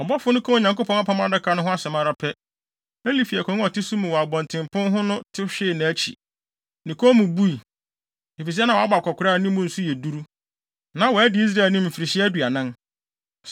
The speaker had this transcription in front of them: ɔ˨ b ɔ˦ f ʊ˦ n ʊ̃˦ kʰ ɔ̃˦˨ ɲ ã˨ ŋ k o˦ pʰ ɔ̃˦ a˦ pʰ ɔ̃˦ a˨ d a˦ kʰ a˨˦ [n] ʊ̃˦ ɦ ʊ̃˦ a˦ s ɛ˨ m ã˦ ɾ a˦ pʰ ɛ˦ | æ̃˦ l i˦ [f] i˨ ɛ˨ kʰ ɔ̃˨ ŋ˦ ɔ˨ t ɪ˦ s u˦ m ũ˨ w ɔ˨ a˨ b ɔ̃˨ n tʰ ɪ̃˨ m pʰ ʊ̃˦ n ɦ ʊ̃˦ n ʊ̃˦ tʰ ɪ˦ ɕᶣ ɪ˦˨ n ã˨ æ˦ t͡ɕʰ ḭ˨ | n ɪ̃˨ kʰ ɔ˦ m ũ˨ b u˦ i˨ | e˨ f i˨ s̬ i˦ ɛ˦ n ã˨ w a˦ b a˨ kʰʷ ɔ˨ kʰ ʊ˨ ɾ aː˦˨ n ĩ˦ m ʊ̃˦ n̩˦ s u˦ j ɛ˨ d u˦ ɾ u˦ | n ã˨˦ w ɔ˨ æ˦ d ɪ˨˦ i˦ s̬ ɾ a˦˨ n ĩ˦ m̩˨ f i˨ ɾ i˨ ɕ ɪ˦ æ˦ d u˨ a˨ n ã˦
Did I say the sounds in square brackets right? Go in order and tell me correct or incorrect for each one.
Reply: correct, correct

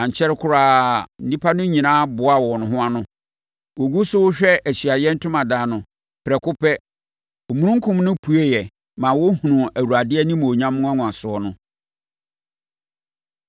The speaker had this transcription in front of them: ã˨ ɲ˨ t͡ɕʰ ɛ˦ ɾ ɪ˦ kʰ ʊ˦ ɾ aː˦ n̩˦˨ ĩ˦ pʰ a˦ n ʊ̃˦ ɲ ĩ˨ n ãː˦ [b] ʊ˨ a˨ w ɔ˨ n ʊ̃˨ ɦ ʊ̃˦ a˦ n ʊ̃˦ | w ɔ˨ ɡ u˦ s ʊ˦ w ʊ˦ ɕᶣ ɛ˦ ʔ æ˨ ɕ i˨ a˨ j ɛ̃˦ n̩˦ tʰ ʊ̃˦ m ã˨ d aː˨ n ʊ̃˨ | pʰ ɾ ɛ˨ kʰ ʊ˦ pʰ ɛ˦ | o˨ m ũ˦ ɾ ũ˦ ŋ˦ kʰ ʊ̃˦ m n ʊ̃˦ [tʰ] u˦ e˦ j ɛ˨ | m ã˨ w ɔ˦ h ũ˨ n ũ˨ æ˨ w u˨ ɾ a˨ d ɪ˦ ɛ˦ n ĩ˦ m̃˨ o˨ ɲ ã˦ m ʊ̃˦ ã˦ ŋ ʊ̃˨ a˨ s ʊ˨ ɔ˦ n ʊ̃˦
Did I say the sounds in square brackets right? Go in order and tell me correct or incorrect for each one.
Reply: correct, incorrect: pʰ

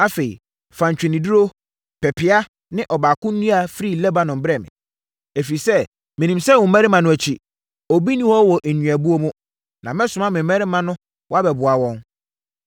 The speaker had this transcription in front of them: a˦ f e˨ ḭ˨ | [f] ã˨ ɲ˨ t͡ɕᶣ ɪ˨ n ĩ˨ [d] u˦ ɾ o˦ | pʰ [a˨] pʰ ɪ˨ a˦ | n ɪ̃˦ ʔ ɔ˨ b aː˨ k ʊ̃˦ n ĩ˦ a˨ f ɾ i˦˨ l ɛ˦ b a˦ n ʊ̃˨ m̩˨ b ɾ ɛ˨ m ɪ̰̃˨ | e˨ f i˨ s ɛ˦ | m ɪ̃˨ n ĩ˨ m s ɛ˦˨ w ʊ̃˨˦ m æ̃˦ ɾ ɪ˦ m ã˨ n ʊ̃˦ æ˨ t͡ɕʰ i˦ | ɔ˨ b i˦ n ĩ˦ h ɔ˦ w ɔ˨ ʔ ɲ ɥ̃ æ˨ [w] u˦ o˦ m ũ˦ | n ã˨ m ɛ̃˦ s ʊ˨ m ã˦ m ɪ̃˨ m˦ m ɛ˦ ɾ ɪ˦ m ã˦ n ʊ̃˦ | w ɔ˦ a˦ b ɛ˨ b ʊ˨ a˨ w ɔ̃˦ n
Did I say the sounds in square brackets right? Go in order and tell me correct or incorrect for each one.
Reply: correct, correct, incorrect: ɛ˨, incorrect: b

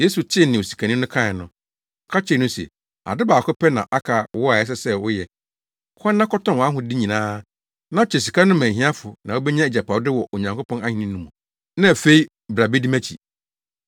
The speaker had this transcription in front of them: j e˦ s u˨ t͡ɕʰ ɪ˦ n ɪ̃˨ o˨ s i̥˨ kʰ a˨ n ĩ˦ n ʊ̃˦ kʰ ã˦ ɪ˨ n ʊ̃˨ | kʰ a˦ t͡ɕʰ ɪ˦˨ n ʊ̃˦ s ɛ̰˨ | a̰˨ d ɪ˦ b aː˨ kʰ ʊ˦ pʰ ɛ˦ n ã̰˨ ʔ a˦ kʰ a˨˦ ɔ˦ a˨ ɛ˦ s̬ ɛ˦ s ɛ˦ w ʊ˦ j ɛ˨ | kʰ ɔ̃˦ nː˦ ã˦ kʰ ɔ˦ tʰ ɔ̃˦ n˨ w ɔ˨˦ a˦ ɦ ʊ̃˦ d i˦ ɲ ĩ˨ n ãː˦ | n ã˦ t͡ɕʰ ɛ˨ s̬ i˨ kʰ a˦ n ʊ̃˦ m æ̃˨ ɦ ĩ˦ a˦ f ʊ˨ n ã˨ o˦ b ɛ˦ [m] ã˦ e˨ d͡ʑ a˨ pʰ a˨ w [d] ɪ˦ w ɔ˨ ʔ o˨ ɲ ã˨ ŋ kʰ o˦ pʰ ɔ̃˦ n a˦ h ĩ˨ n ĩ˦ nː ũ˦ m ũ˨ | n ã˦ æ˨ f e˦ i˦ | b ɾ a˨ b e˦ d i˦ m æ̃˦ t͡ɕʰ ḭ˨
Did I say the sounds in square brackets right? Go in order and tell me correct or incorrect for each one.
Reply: incorrect: ɲ, correct

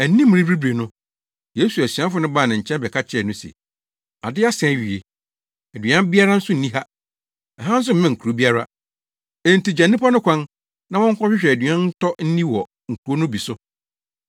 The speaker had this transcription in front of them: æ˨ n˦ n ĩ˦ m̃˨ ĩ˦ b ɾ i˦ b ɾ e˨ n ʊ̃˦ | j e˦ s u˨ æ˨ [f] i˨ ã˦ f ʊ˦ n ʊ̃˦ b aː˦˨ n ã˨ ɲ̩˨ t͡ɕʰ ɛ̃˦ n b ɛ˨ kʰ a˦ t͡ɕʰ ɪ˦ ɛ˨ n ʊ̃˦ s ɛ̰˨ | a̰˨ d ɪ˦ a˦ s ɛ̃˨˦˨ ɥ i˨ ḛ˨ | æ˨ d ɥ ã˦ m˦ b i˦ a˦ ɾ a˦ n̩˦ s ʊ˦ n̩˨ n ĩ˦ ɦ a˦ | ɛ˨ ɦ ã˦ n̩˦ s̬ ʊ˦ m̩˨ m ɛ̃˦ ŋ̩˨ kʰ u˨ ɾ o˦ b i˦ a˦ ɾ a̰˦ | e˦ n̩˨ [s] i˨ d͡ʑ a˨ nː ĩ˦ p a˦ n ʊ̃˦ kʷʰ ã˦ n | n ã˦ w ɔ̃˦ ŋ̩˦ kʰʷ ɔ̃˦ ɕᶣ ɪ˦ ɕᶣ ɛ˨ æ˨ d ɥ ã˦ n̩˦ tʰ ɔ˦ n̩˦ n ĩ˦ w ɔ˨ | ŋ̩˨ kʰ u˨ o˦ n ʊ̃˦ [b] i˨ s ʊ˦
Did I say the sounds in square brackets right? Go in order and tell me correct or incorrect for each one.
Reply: incorrect: s, incorrect: t, correct

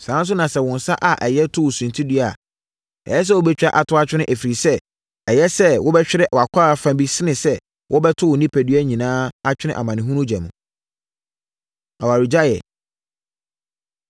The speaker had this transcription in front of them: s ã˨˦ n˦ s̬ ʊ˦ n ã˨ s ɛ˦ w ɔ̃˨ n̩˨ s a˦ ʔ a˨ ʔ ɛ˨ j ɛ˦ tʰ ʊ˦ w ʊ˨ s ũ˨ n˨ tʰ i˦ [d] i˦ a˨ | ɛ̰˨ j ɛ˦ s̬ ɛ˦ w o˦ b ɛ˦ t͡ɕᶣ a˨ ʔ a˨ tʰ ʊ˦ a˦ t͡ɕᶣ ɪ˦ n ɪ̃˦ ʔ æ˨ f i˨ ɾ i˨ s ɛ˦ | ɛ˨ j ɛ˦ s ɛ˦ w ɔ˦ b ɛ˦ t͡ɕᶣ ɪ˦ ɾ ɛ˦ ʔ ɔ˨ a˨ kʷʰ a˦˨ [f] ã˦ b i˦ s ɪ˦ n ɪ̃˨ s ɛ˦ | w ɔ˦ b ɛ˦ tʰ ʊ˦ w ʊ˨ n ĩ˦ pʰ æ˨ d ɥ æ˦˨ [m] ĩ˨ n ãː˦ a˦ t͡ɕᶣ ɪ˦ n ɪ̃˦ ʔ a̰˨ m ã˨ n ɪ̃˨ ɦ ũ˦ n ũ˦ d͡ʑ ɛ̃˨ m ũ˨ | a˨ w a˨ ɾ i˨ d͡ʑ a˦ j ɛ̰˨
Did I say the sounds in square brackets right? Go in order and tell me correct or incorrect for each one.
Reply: correct, correct, incorrect: ɲ

